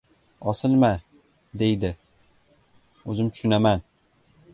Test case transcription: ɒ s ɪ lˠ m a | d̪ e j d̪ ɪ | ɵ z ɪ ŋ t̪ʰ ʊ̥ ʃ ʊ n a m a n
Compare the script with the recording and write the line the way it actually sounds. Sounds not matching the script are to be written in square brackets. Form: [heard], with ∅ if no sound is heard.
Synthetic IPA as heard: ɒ s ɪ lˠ m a | d̪ e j d̪ ɪ | ɵ z ɪ [m] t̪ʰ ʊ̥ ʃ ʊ n a m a n